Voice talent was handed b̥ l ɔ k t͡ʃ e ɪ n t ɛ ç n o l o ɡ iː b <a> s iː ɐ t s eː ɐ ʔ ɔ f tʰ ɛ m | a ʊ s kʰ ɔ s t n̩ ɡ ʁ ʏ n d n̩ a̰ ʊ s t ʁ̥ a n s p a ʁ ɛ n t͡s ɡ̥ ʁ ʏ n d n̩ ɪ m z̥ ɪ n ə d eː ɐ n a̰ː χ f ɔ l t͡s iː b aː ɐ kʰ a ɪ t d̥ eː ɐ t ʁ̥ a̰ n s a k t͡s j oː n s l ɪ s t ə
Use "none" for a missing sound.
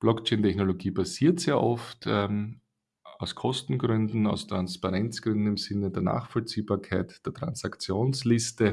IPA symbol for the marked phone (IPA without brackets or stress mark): a